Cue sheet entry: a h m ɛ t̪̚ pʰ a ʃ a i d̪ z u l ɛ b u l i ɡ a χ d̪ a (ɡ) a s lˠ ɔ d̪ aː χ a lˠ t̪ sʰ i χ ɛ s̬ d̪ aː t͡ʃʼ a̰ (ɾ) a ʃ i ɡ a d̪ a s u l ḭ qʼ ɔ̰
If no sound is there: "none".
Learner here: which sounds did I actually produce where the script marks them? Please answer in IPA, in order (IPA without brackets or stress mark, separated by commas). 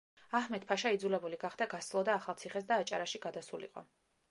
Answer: ɡ, ɾ